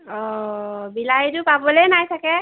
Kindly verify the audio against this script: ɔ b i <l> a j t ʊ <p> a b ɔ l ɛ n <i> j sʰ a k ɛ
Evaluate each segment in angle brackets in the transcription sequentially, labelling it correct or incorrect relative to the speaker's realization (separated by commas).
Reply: correct, correct, incorrect